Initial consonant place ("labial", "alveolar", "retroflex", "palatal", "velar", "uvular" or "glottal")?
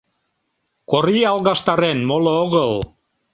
velar